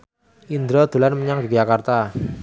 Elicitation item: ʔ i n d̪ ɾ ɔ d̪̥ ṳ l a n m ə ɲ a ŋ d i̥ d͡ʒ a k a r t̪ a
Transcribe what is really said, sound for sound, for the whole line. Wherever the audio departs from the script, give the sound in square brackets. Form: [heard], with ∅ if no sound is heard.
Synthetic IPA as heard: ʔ i n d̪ ɾ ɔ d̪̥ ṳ l a n m ə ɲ a ŋ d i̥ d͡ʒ a k a r t̪ a